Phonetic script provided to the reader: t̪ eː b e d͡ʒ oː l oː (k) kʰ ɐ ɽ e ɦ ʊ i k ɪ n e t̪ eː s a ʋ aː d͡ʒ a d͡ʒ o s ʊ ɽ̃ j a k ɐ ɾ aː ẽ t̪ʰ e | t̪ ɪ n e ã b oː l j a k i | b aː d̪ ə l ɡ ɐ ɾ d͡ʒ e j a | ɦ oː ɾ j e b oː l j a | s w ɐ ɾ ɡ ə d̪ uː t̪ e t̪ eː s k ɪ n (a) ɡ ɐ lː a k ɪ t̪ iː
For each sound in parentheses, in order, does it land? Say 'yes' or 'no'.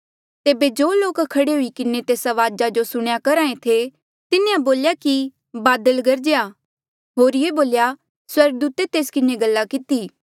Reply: yes, no

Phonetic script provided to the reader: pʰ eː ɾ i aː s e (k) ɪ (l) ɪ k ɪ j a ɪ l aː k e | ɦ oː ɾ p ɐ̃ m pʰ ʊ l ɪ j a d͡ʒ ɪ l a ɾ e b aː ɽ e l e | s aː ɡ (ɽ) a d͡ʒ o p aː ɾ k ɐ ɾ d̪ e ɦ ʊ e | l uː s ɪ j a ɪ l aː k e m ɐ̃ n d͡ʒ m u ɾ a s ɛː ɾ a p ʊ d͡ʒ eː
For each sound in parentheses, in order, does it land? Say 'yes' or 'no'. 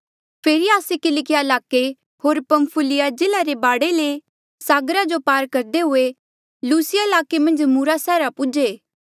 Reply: yes, yes, no

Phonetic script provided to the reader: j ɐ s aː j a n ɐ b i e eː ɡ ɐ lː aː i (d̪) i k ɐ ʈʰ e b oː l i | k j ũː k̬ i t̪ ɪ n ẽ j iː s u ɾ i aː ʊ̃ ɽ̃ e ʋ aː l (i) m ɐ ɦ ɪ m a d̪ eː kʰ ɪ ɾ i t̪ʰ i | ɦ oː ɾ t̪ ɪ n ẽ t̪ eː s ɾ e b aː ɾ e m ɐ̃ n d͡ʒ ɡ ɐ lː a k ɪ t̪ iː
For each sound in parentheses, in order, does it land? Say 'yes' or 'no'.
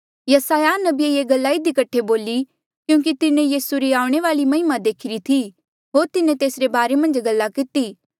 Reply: yes, yes

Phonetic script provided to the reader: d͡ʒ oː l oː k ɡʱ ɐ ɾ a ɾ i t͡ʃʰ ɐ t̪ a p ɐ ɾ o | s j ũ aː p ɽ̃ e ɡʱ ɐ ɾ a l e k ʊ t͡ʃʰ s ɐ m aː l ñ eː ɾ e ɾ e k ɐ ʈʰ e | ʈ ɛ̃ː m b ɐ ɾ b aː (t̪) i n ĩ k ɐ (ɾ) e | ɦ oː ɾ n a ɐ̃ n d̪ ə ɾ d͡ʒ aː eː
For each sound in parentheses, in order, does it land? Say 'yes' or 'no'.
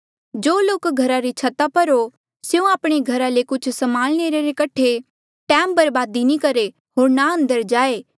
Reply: no, yes

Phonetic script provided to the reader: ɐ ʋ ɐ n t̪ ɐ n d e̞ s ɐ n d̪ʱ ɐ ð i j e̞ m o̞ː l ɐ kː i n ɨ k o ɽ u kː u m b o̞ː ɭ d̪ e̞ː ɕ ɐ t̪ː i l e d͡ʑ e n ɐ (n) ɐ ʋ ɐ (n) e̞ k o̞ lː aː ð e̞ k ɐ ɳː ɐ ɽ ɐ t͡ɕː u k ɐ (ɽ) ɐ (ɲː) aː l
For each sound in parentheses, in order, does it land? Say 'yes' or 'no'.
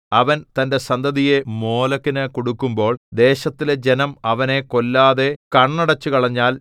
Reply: no, yes, no, yes

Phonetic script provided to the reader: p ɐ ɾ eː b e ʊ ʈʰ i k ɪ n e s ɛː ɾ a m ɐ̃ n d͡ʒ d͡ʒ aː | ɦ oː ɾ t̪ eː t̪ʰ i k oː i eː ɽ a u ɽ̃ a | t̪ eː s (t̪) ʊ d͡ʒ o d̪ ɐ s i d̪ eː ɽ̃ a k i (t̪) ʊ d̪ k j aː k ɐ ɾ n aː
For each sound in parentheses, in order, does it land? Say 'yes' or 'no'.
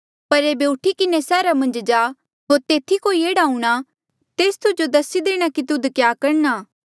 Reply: yes, yes

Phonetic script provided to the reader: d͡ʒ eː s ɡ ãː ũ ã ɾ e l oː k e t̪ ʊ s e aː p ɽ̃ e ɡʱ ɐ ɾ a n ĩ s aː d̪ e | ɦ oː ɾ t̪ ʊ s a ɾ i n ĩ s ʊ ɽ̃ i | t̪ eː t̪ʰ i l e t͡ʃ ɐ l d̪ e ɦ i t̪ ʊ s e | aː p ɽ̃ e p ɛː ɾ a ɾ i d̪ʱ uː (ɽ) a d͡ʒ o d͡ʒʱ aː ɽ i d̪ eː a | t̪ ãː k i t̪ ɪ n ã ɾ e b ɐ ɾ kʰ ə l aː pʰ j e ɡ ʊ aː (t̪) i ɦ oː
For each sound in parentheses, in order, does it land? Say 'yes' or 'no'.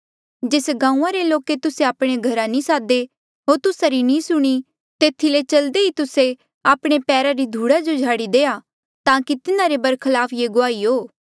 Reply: yes, no

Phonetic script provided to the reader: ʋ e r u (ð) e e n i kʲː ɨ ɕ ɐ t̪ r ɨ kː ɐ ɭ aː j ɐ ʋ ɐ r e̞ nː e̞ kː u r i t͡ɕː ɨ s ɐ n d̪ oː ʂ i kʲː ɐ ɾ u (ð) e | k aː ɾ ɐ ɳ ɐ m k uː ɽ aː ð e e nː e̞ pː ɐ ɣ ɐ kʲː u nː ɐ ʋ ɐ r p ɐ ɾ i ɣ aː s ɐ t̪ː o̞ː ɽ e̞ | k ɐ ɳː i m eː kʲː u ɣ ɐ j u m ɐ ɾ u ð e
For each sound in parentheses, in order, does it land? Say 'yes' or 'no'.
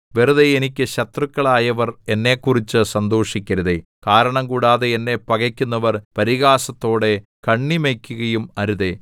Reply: yes, yes

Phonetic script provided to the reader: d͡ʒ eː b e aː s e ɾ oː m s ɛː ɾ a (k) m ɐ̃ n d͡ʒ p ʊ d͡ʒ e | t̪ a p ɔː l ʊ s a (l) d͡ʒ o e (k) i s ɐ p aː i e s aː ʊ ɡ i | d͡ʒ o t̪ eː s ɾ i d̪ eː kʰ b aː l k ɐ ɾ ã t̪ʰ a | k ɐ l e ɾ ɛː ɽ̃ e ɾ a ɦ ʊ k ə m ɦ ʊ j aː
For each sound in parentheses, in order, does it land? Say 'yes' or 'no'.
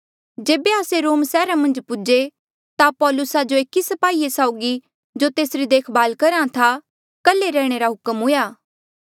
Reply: no, no, yes

